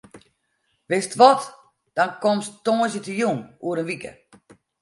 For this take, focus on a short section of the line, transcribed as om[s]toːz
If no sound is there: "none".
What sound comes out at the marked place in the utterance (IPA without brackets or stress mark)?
s